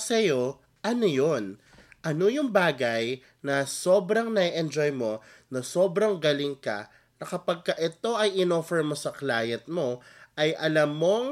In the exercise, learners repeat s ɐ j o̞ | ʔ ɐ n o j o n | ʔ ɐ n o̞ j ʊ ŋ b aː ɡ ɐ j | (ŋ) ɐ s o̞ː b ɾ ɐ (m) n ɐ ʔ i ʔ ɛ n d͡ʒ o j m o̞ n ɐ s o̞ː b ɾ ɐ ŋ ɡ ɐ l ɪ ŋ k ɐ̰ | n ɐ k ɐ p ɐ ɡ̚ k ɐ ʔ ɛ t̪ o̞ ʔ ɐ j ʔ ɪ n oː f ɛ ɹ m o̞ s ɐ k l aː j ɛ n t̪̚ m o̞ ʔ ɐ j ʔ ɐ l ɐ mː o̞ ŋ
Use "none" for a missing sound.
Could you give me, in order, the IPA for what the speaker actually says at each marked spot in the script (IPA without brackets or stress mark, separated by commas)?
n, ŋ